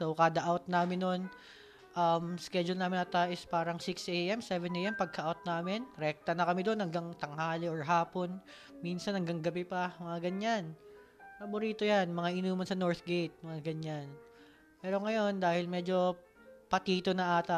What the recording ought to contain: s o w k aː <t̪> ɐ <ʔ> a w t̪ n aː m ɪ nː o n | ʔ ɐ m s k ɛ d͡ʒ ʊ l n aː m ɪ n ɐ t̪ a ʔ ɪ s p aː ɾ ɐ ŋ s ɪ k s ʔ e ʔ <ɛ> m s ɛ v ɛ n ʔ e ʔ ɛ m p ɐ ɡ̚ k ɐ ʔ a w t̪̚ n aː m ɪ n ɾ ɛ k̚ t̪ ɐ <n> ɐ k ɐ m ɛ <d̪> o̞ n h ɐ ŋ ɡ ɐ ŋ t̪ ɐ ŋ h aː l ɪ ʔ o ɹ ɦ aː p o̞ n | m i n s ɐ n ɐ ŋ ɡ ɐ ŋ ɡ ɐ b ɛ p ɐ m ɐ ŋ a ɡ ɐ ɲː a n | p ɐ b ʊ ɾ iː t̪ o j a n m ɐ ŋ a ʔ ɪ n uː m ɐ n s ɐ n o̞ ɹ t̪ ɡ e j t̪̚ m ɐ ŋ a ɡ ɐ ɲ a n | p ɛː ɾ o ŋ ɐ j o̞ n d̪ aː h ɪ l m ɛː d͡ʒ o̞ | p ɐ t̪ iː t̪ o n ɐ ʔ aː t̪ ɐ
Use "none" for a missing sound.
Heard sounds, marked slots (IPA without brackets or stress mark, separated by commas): d̪, ʔ, ɛ, n, d̪